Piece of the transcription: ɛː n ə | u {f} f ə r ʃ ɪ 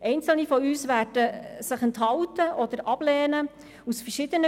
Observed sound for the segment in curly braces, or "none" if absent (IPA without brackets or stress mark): s